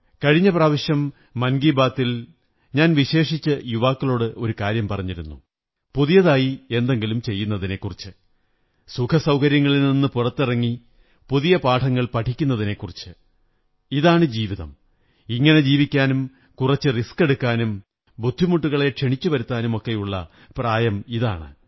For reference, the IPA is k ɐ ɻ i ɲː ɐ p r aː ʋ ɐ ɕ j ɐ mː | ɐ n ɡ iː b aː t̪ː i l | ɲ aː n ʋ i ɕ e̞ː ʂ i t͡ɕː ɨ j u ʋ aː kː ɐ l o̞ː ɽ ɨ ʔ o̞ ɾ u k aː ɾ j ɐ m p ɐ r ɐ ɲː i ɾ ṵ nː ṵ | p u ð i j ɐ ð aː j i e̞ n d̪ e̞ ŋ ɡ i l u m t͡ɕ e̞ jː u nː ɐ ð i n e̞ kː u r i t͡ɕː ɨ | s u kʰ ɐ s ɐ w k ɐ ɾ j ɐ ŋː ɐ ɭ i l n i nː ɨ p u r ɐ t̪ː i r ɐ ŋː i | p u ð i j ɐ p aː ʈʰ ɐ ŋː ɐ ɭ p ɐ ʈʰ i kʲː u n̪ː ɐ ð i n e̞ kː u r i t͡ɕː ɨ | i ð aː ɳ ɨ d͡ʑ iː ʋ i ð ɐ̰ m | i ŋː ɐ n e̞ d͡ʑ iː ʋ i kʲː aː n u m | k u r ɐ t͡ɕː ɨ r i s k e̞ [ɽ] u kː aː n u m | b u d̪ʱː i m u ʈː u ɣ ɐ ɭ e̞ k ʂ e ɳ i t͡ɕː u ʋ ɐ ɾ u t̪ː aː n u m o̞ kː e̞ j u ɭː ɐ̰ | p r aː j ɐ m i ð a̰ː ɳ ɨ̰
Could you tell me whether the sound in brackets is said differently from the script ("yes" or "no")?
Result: no